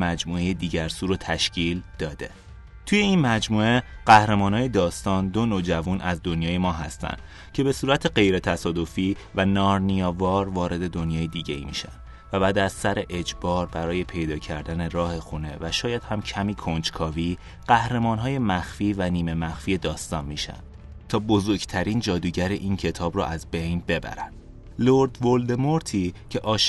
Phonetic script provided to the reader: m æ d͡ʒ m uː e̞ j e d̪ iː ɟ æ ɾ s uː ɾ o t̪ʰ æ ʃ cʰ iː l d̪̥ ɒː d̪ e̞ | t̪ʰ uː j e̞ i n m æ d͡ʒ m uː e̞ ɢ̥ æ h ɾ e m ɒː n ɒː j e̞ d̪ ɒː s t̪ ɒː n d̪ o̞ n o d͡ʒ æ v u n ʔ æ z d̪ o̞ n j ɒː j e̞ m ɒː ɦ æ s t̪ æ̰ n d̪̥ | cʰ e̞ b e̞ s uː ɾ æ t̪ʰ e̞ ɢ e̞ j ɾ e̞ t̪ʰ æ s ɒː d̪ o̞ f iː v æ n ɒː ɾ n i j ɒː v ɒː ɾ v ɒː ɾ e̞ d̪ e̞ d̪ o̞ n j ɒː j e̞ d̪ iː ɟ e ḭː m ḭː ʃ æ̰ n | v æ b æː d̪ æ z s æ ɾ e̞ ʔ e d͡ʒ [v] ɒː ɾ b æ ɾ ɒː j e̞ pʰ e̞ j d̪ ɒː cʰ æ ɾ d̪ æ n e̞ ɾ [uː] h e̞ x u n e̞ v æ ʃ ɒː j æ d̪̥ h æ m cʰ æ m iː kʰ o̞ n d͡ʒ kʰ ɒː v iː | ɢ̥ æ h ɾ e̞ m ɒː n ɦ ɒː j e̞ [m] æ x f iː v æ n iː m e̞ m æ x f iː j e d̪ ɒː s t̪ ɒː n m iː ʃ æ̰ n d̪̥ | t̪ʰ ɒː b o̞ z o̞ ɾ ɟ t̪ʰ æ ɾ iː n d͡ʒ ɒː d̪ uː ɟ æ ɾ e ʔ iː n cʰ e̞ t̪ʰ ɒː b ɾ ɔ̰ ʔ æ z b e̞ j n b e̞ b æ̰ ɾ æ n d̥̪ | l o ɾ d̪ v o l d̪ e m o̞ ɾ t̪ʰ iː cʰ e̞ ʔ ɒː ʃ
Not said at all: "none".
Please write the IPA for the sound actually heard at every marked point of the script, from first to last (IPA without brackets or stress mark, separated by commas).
b, ɒː, m